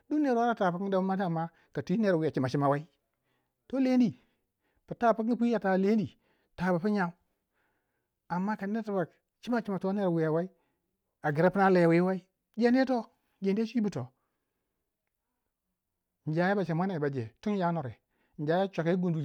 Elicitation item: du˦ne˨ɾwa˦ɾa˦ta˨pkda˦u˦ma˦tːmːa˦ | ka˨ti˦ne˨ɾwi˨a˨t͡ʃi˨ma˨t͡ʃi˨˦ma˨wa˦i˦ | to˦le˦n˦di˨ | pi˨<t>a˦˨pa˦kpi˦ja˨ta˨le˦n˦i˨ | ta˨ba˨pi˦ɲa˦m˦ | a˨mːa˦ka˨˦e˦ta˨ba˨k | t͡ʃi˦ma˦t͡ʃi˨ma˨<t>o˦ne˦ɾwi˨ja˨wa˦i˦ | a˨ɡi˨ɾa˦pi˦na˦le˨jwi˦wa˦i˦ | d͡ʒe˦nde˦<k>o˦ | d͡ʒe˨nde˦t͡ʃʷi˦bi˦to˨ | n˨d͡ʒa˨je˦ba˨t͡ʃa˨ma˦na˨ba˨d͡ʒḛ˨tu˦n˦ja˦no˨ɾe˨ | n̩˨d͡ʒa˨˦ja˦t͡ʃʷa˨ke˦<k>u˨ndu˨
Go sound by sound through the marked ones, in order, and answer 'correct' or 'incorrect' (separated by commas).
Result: correct, correct, incorrect, incorrect